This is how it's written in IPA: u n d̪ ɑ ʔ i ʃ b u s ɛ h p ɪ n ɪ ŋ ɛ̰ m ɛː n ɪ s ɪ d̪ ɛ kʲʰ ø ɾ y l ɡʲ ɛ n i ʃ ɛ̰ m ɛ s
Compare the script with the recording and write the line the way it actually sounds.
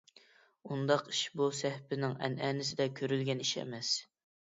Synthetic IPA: u n d̪ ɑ q i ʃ b u s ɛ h p ɪ n ɪ ŋ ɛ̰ n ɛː n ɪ s ɪ d̪ ɛ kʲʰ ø ɾ y l ɡʲ ɛ n i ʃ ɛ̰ m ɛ s